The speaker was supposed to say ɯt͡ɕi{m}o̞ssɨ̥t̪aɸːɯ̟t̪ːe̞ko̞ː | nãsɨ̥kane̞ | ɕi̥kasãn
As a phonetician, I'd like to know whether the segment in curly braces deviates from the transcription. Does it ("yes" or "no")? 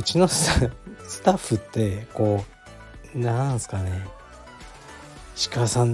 yes